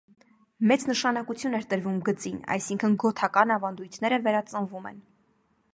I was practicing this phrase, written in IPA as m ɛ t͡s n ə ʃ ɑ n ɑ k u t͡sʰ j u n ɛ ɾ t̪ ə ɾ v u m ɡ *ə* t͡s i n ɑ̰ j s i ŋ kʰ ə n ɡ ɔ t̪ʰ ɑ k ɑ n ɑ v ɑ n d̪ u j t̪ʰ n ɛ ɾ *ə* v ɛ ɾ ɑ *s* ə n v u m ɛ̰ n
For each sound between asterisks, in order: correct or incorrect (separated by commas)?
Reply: correct, correct, incorrect